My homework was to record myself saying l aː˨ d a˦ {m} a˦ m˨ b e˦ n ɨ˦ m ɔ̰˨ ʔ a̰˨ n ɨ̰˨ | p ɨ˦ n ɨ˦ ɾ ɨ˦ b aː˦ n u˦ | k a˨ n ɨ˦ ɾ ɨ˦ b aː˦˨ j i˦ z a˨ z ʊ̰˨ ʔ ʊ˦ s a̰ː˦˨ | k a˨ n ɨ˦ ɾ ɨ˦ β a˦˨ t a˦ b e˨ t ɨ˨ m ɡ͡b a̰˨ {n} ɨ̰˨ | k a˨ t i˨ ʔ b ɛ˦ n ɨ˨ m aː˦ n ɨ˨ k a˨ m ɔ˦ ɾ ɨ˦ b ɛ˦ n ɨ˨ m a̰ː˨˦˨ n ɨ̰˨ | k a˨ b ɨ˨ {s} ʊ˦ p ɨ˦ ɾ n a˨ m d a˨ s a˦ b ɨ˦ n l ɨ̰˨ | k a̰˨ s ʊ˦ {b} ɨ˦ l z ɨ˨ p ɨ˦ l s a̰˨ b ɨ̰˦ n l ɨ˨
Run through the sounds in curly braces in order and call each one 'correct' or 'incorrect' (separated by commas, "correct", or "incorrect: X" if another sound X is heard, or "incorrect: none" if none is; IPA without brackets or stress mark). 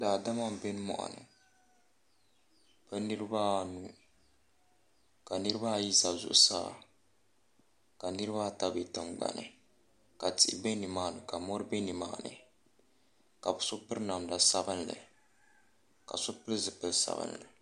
correct, correct, correct, incorrect: p